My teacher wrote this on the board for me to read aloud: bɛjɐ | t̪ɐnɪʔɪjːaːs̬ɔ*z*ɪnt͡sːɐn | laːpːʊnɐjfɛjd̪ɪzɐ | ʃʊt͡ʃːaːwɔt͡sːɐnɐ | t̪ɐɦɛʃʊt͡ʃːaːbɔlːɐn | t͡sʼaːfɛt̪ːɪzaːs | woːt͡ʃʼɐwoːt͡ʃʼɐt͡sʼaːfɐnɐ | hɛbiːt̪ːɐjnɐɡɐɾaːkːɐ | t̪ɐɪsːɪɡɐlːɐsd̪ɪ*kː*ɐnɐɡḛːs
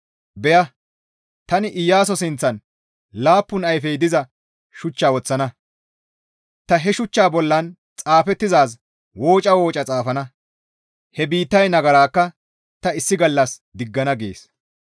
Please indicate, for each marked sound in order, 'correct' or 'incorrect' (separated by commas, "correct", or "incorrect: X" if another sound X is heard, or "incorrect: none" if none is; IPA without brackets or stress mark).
incorrect: s, incorrect: ɡː